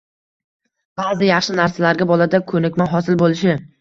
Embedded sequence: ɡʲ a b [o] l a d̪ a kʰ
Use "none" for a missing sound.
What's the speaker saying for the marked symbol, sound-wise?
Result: ɒ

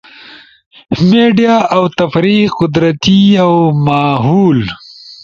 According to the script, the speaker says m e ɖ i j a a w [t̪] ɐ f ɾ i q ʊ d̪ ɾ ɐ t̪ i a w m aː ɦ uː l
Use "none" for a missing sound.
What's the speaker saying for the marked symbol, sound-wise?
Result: t̪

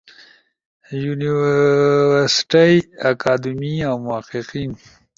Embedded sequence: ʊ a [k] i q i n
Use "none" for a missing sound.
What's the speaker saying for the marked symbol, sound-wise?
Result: q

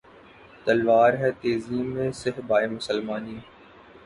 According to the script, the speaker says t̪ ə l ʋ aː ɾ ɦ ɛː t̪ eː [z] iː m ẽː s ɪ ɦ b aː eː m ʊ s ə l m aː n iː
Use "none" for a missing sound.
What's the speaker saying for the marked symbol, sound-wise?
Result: z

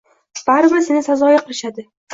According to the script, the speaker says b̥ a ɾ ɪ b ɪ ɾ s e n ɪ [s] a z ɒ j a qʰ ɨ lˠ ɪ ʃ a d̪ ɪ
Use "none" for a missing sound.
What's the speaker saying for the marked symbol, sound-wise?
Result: s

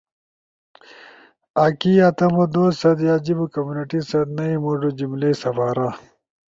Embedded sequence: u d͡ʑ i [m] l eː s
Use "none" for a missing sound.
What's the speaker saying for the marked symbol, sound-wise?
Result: m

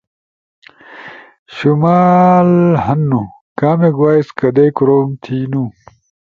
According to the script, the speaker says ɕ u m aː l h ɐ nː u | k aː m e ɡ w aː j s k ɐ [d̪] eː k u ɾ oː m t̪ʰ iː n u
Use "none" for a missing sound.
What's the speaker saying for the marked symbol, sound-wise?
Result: d̪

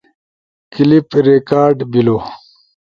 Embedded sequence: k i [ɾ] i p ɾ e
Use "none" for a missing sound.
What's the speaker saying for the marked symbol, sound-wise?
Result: l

